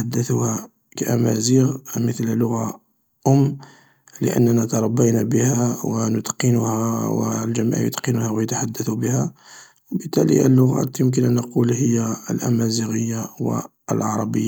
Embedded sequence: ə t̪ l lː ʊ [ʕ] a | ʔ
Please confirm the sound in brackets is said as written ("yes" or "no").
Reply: no